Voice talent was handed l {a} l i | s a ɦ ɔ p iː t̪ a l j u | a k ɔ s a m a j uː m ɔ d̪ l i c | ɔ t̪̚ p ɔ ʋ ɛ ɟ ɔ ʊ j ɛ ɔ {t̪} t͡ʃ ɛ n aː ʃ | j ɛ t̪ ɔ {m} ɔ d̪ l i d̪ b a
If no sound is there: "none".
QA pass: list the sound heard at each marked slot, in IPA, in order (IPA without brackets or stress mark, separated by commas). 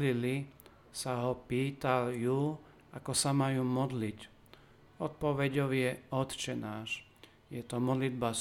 i, t̪, m